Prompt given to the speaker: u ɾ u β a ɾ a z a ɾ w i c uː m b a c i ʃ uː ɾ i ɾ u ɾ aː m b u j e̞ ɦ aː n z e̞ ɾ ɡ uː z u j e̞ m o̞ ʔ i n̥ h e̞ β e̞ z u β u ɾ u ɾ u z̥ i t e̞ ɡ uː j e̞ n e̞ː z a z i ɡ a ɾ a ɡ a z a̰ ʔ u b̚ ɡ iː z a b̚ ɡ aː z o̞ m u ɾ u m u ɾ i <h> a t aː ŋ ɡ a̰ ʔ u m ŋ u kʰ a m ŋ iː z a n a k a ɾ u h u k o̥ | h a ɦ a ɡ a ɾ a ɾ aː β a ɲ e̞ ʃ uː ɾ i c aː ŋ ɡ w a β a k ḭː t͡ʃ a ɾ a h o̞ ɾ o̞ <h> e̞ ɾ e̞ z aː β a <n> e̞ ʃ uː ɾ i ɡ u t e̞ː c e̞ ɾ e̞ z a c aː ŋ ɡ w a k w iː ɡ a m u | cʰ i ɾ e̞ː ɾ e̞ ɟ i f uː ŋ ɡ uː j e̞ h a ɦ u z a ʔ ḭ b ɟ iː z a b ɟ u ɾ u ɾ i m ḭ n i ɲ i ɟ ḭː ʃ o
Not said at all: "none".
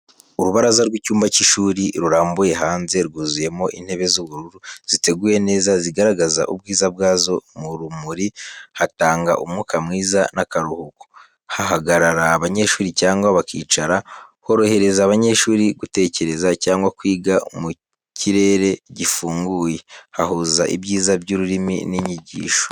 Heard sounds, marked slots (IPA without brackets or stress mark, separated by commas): h, h, ɲ